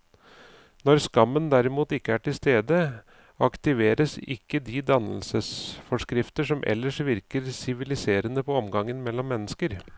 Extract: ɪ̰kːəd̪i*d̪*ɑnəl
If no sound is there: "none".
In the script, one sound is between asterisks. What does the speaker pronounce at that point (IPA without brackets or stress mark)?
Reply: d̪